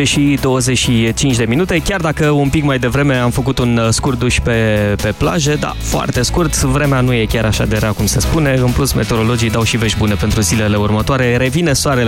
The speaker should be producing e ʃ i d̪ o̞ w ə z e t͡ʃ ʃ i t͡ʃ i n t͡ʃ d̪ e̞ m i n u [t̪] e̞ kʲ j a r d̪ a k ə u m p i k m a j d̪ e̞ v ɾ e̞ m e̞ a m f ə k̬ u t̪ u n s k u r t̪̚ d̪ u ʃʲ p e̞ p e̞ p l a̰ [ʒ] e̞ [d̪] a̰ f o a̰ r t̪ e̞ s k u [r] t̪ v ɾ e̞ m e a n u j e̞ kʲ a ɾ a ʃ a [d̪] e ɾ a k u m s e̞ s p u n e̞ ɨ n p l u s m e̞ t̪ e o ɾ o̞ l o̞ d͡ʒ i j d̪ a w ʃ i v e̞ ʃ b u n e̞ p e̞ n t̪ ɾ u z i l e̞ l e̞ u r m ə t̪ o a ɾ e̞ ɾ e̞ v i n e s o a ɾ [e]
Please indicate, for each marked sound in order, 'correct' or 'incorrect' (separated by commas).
correct, correct, correct, correct, correct, correct